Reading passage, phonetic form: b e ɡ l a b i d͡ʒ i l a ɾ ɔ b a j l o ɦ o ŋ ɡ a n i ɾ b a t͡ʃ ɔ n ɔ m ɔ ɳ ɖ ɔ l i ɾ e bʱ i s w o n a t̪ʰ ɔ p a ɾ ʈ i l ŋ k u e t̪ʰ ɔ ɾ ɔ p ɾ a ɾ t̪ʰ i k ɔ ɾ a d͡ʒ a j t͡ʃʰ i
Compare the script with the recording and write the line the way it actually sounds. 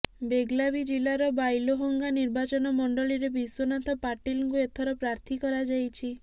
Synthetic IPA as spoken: b e ɡ l a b i d͡ʒ i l a ɾ ɔ b a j l o ɦ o ŋ ɡ a n i ɾ b a t͡ʃ ɔ n ɔ m ɔ ɳ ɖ ɔ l i ɾ e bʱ i s w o n a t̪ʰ ɔ p a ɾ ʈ i l ŋ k u e t̪ʰ ɔ ɾ ɔ p ɾ a ɾ t̪ʰ i k ɔ ɾ a d͡ʒ a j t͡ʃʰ i